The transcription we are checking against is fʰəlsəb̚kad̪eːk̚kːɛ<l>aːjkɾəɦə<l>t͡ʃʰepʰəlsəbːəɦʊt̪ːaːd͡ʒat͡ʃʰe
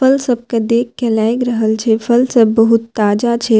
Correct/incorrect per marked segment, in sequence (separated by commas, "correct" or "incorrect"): correct, correct